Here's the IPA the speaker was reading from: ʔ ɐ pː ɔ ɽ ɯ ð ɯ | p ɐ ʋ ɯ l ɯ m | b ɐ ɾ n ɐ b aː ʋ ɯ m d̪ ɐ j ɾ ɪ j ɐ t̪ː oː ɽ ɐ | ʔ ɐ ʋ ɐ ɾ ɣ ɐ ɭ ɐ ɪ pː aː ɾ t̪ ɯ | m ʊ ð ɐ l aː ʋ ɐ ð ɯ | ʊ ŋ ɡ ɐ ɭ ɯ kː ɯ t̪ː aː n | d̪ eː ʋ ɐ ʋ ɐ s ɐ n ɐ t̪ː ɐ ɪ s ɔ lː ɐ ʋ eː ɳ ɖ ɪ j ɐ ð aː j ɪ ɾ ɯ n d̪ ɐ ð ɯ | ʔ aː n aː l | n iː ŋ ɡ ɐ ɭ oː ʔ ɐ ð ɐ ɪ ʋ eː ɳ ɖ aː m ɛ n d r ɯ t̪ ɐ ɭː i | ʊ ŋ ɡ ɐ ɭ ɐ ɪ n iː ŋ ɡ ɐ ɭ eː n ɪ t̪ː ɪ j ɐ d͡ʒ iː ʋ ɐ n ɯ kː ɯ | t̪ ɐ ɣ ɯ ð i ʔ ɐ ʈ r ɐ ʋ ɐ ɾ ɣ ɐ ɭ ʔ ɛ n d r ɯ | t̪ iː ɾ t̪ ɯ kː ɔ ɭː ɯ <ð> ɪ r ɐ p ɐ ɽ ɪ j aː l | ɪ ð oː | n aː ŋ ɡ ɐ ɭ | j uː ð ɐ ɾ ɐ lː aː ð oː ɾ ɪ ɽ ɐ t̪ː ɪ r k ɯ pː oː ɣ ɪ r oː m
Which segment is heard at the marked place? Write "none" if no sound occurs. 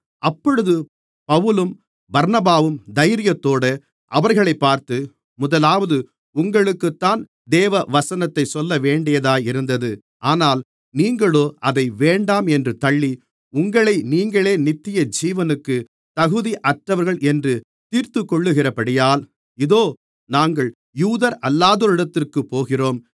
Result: ɣ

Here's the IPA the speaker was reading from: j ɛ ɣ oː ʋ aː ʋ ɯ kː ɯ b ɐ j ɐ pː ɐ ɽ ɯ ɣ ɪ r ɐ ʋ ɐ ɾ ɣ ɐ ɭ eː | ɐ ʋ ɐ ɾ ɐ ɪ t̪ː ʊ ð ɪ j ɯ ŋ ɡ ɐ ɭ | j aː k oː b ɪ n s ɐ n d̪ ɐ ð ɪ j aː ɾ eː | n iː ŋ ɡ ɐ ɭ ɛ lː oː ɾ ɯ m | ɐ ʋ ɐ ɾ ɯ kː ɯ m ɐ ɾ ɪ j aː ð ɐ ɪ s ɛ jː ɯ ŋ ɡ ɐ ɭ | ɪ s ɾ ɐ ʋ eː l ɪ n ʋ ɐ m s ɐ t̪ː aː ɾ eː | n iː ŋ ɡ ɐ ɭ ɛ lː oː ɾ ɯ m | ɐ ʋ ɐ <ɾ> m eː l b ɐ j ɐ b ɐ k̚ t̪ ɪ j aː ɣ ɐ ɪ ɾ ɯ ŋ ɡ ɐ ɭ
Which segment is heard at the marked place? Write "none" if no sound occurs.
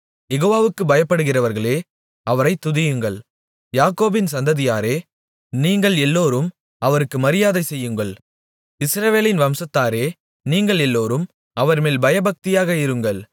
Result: ɾ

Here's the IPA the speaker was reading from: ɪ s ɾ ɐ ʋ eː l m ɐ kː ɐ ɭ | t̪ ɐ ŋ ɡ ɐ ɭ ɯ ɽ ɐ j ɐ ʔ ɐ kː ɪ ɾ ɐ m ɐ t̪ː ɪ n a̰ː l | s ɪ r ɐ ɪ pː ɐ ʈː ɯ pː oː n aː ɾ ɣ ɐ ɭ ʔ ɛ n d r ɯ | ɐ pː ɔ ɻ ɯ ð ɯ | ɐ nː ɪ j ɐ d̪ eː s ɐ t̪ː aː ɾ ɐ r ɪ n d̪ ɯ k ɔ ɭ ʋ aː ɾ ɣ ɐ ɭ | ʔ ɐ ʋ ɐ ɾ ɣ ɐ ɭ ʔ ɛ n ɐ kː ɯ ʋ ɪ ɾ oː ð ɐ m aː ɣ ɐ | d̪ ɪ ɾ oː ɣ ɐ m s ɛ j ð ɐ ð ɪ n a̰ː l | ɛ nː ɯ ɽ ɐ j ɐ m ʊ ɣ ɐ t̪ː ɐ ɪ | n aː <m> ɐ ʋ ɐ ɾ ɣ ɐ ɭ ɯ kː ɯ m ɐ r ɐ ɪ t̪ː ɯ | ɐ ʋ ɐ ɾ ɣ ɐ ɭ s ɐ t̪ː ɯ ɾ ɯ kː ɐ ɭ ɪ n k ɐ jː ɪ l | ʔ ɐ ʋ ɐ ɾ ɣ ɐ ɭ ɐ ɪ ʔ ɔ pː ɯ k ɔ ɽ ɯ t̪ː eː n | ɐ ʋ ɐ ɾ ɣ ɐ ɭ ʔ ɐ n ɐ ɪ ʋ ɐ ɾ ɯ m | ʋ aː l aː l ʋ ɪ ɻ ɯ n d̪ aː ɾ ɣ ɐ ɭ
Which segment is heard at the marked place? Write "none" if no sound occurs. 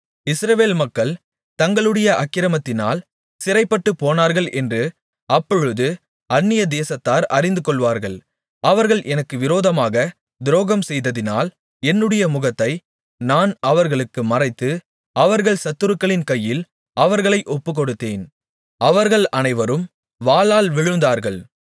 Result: n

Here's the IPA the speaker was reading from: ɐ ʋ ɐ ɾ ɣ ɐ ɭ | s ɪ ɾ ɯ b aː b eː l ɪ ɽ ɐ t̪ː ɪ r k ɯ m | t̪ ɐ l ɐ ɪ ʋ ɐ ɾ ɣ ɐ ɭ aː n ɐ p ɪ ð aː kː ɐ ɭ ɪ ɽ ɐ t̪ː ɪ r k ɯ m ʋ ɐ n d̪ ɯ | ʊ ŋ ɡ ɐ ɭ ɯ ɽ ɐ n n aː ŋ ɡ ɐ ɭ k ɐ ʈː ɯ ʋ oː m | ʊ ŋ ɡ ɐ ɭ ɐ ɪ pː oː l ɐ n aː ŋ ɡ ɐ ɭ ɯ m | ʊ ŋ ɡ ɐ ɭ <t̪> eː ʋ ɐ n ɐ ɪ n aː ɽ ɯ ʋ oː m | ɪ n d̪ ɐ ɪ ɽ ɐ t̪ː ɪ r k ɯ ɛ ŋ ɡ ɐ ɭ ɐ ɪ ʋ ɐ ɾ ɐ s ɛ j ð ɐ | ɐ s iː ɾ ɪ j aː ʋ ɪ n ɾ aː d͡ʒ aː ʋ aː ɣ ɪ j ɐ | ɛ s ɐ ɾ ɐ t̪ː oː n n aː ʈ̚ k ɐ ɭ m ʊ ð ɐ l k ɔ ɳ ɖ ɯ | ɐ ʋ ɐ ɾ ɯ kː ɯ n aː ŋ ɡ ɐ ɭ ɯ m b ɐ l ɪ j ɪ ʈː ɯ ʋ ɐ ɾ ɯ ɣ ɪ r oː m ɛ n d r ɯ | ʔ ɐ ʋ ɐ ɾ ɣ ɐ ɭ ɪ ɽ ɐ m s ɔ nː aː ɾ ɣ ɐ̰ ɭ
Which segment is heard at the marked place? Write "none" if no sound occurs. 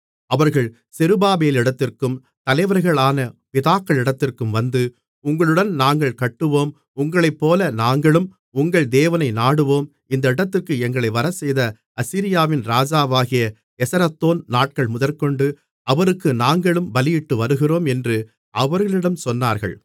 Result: d̪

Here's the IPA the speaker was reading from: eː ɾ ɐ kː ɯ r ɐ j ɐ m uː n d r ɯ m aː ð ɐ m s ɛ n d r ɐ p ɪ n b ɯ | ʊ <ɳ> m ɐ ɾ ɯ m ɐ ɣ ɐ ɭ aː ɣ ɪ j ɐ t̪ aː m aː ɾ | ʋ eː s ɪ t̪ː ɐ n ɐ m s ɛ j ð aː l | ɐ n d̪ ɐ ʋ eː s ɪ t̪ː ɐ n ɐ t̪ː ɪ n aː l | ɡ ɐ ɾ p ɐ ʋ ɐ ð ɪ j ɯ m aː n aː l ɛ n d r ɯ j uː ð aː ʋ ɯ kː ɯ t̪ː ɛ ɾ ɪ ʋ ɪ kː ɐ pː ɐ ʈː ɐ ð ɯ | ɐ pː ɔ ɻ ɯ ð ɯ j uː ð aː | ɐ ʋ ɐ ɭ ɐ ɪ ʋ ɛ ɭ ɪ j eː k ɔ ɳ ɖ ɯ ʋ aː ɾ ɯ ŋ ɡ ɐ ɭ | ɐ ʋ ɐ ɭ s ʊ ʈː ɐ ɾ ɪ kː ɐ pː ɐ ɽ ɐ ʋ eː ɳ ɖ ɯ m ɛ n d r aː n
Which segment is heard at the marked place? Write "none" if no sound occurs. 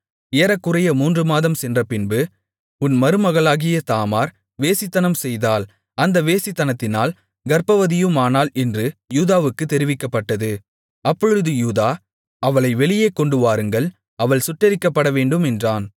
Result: n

